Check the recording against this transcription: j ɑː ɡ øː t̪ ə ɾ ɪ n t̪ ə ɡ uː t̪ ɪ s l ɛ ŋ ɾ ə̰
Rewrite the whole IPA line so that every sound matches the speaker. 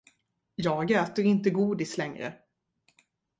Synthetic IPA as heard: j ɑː ɡ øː t̪ ə ɾ ɪ n t̪ ə ɡ uː d̪ ɪ s l ɛ ŋ ɾ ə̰